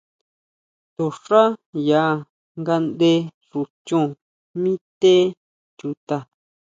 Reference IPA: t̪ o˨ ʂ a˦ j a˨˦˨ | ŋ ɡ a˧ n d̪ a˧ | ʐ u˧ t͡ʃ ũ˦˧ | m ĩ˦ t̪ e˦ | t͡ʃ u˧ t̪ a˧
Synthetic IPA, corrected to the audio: t̪ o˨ ʂ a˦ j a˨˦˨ | ŋ ɡ a˧ n d̪ e˧ | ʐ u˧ t͡ʃ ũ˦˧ | m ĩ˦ t̪ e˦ | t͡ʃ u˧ t̪ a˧